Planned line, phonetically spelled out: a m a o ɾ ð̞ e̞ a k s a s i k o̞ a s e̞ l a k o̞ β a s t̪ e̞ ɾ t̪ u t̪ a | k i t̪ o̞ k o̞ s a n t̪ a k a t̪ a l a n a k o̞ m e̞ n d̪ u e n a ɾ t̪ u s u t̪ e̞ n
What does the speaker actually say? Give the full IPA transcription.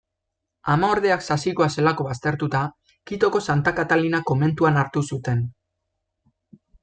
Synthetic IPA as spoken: a m a o ɾ ð̞ e̞ a k s a s i k o̞ a s e̞ l a k o̞ β a s t̪ e̞ ɾ t̪ u t̪ a | k i t̪ o̞ k o̞ s a n t̪ a k a t̪ a l i n a k o̞ m e̞ n t̪ u a n a ɾ t̪ u s u t̪ e̞ n

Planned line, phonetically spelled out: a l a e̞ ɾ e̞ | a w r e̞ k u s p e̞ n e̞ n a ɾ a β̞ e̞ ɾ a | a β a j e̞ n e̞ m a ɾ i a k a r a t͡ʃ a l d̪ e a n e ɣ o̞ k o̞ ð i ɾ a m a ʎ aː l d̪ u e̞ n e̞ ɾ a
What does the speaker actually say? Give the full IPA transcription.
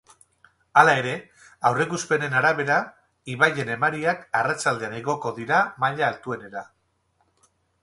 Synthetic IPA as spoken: a l a e̞ ɾ e̞ | a w r e̞ k u s p e̞ n e̞ n a ɾ a β̞ e̞ ɾ a | i β a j e̞ n e̞ m a ɾ i a k a r a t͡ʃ a l d̪ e a n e ɣ o̞ k o̞ ð i ɾ a m a ʎ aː l t̪ u e̞ n e̞ ɾ a

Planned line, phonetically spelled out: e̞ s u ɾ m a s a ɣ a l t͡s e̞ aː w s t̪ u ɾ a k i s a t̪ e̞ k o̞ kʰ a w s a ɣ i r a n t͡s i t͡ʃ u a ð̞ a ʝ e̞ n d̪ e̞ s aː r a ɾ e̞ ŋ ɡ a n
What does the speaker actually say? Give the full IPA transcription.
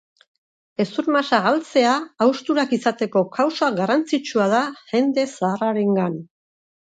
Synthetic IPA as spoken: e̞ s u ɾ m a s a ɣ a l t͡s e̞ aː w s t̪ u ɾ a k i s a t̪ e̞ k o̞ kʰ a w s a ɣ a r a n t͡s i t͡ʃ u a ð̞ a ʝ e̞ n d̪ e̞ s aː r a ɾ e̞ ŋ ɡ a n

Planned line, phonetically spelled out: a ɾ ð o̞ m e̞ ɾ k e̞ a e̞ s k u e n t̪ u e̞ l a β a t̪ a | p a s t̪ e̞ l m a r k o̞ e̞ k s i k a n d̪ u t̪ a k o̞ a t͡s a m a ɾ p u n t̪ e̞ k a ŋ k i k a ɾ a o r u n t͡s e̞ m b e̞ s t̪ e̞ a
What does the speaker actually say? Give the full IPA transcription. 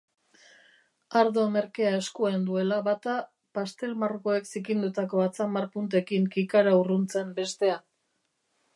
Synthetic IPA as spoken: a ɾ ð o̞ m e̞ ɾ k e̞ a e̞ s k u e n d̪ u e̞ l a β a t̪ a | p a s t̪ e̞ l m a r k o̞ e̞ k s i k i n d̪ u t̪ a k o̞ a t͡s a m a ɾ p u n t̪ e̞ k i ŋ k i k a ɾ a u r u n t͡s e̞ m b e̞ s t̪ e̞ a

